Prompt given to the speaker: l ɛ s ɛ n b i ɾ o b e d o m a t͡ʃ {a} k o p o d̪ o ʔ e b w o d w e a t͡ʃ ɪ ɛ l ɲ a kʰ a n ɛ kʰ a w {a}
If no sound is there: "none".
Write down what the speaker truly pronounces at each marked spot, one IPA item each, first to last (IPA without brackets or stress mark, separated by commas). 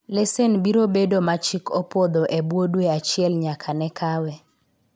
i, ɛ